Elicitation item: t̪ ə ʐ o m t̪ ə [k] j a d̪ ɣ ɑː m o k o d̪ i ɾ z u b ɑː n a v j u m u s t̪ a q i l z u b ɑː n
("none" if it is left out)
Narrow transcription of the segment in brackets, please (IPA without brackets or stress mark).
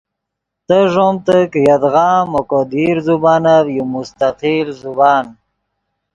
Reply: k